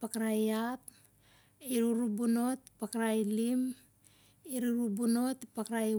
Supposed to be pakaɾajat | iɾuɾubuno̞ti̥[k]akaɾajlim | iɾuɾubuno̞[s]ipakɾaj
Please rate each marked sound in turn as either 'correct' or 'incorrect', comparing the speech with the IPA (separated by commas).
incorrect, incorrect